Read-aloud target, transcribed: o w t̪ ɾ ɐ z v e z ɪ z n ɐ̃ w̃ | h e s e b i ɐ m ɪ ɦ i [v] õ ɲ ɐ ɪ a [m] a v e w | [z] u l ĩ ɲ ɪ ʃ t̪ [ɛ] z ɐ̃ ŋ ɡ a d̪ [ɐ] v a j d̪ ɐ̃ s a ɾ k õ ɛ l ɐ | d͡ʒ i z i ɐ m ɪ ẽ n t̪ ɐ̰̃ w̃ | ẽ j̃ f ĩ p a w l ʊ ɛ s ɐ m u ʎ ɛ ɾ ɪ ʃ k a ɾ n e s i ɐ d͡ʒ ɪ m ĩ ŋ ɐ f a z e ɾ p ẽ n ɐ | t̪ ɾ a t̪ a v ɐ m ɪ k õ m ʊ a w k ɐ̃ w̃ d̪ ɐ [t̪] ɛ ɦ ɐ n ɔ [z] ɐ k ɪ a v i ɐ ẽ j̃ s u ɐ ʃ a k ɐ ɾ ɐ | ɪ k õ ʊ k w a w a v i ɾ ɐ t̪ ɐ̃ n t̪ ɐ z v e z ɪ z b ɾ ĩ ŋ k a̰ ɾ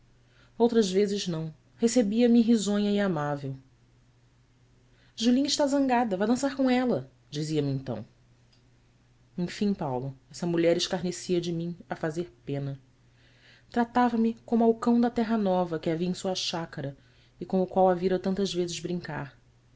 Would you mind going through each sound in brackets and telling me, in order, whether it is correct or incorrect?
incorrect, correct, incorrect, incorrect, correct, correct, incorrect

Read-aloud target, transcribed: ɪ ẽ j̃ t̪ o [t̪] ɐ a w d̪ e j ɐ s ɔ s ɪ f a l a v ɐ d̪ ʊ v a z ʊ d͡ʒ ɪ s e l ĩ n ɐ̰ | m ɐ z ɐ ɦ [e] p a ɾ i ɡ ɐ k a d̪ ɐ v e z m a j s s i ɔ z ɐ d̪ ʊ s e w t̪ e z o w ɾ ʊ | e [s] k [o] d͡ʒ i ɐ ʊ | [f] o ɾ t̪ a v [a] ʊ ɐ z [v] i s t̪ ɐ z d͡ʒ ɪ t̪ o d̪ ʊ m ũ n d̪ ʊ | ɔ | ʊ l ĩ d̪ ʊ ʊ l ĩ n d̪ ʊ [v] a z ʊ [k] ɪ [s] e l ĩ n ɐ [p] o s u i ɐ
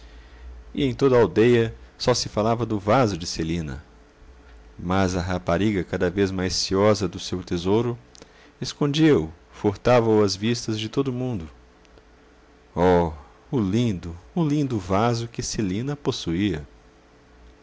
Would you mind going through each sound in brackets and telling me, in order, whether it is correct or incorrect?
incorrect, incorrect, correct, incorrect, correct, incorrect, correct, correct, correct, correct, correct

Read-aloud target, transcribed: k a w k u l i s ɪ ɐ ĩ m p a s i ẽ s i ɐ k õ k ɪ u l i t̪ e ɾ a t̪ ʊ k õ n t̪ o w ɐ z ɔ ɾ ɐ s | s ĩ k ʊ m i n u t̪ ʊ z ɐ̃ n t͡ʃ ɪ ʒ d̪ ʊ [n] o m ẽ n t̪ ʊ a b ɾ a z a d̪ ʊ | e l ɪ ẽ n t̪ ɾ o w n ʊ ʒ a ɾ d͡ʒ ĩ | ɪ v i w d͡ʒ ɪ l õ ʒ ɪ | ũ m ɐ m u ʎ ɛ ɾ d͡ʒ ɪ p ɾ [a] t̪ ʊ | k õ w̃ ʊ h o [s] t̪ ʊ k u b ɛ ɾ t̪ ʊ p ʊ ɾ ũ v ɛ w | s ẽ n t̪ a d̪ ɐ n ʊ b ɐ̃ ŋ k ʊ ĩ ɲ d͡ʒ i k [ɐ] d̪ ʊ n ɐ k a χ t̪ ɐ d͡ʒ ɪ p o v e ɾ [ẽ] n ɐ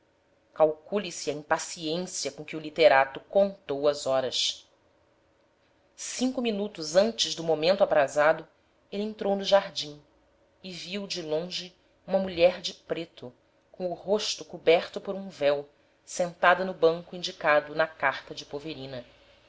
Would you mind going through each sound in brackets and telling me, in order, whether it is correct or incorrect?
incorrect, incorrect, incorrect, incorrect, incorrect

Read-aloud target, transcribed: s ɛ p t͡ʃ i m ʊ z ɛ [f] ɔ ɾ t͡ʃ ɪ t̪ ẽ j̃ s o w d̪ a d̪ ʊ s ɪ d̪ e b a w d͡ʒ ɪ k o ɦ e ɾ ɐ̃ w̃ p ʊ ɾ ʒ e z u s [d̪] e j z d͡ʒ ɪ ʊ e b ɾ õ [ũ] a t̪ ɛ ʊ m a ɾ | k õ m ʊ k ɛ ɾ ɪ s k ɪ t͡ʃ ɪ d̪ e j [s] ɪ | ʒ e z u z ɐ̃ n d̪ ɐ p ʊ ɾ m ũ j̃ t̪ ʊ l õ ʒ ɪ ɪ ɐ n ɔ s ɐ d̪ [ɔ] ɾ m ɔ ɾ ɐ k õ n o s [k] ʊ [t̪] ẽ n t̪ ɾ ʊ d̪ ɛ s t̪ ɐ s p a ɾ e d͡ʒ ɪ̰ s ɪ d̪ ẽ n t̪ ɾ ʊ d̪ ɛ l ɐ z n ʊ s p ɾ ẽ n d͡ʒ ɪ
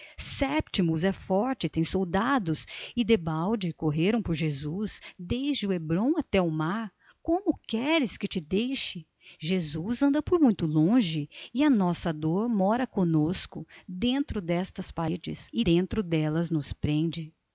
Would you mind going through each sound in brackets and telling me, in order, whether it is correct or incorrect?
correct, correct, incorrect, incorrect, incorrect, correct, incorrect

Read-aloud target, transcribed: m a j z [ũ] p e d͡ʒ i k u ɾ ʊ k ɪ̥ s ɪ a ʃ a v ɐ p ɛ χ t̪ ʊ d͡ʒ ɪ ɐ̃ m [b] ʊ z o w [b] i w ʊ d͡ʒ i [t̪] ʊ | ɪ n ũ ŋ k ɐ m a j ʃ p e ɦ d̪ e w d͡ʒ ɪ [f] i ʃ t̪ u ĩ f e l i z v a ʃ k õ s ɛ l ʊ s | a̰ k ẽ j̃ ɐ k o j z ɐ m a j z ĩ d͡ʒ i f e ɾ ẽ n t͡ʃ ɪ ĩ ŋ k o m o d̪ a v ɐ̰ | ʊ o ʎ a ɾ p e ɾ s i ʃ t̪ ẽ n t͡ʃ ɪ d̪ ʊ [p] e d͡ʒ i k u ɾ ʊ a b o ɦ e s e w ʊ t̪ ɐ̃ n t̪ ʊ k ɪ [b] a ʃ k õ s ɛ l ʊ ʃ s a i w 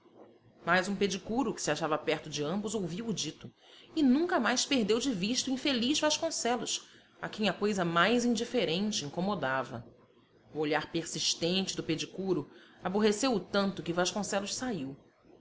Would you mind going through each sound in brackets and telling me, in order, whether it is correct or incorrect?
correct, correct, incorrect, correct, incorrect, correct, incorrect

